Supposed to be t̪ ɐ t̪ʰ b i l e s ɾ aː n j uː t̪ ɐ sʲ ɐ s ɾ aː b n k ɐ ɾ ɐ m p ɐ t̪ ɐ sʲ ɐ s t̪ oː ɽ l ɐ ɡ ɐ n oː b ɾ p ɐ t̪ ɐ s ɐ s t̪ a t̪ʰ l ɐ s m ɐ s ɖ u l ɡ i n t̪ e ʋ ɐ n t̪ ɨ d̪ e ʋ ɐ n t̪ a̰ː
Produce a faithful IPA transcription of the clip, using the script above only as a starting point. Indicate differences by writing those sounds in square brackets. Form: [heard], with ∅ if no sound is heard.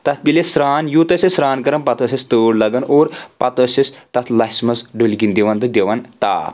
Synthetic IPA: t̪ ɐ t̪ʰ b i l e s ɾ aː n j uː t̪ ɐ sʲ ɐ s ɾ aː [∅] n k ɐ ɾ ɐ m p ɐ t̪ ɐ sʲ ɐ s t̪ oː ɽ l ɐ ɡ ɐ n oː [∅] ɾ p ɐ t̪ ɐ s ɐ s t̪ [ɐ] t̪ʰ l ɐ s m ɐ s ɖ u l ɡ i n [d̪] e ʋ ɐ n t̪ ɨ d̪ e ʋ ɐ n t̪ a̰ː